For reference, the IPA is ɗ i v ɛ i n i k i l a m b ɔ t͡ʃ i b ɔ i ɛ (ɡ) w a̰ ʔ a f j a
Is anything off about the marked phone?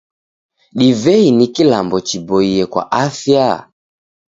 yes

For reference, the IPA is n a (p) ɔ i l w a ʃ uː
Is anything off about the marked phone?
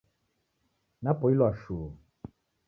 no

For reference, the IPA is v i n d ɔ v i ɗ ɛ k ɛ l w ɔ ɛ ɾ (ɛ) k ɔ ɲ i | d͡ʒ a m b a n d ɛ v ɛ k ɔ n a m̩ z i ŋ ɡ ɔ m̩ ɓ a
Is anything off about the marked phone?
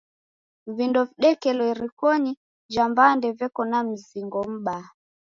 yes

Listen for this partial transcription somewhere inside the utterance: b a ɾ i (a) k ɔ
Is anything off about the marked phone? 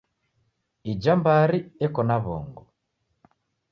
yes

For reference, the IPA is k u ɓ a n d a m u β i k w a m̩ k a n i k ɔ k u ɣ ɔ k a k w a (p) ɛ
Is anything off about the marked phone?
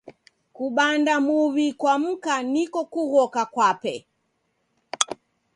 no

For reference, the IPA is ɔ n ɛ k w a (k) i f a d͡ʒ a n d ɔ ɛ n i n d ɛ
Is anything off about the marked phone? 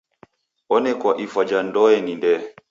yes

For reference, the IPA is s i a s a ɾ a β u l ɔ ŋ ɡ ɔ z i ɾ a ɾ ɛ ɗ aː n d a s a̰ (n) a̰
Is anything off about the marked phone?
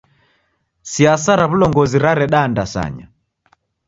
yes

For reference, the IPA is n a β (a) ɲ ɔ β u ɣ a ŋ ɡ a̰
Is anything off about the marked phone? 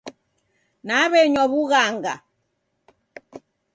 yes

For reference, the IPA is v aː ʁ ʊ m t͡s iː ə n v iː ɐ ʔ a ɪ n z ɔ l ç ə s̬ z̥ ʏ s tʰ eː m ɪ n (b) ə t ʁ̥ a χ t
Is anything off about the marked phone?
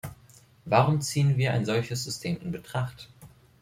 no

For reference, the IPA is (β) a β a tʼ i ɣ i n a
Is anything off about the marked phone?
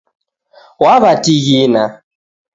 yes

